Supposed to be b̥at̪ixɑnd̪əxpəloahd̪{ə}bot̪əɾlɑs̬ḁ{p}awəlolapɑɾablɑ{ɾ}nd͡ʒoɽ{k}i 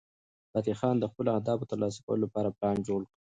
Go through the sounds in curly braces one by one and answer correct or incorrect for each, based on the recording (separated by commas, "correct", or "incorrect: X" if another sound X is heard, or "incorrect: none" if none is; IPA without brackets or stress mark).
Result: incorrect: ɑ, incorrect: k, incorrect: none, correct